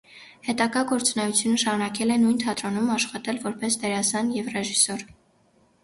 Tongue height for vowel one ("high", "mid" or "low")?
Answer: mid